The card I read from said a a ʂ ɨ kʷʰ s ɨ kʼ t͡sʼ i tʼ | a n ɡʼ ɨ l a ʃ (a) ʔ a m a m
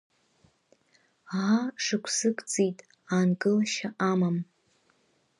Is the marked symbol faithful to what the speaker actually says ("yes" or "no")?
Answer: yes